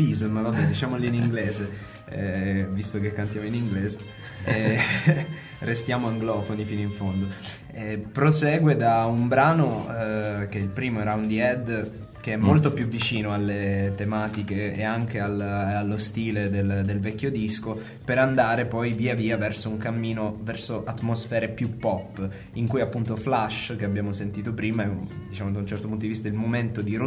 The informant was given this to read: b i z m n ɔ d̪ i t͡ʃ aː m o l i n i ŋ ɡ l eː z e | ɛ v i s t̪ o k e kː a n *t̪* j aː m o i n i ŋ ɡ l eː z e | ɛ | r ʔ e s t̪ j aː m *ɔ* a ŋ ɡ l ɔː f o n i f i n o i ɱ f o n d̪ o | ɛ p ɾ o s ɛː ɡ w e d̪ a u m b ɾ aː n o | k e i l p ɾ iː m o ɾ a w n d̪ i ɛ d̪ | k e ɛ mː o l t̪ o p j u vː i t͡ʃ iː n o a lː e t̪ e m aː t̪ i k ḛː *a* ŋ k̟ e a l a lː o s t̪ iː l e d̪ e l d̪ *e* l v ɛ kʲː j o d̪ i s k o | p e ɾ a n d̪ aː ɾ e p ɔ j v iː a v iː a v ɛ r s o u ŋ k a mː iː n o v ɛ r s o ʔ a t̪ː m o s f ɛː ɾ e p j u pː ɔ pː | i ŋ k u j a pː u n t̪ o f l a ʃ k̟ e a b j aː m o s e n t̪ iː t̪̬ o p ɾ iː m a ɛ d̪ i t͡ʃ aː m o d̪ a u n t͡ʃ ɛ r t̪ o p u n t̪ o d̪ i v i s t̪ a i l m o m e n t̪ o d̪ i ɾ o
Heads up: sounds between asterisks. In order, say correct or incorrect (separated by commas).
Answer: correct, incorrect, correct, correct